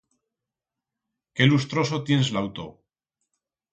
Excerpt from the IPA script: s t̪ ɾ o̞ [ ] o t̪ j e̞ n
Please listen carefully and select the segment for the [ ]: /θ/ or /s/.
s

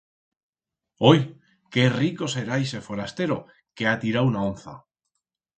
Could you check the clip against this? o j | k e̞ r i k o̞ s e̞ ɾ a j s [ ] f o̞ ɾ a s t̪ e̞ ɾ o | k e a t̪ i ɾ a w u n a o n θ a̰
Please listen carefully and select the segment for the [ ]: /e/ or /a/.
e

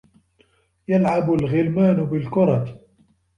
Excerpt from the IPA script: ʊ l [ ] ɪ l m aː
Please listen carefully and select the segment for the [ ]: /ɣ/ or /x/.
ɣ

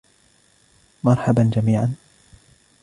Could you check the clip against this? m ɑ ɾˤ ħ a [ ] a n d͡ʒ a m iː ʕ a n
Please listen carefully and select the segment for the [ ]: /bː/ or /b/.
b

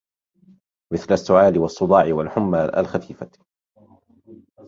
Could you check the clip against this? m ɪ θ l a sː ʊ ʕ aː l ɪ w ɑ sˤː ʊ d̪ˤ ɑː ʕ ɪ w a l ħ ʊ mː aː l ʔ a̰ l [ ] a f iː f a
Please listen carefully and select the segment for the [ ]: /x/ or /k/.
x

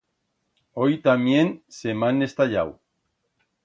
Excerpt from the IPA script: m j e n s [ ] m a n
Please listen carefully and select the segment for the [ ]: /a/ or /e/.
e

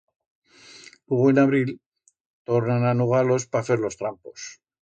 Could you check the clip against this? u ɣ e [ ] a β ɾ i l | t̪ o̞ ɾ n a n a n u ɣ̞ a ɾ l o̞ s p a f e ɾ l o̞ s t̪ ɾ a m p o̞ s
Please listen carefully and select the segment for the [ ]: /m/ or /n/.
n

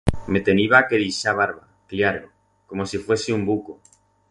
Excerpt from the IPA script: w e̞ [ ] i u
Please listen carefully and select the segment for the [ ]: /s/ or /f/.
s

